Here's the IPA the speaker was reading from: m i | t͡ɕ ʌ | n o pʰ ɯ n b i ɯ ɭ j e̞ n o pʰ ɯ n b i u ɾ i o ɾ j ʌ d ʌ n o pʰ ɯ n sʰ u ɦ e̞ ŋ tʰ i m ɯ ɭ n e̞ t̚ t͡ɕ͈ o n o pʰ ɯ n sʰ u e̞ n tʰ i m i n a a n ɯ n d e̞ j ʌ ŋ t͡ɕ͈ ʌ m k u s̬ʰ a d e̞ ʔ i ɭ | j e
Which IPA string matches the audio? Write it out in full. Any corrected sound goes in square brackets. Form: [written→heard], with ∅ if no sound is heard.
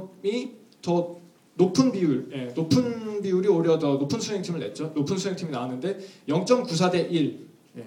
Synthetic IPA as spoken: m i | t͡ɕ ʌ | n o pʰ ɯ n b i [ɯ→u] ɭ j e̞ n o pʰ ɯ n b i u ɾ i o ɾ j ʌ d ʌ n o pʰ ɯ n sʰ u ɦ e̞ ŋ tʰ i m ɯ ɭ n e̞ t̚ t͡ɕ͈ o n o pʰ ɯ n sʰ u e̞ [n→ŋ] tʰ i m i n a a n ɯ n d e̞ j ʌ ŋ t͡ɕ͈ ʌ m k u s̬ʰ a d e̞ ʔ i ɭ | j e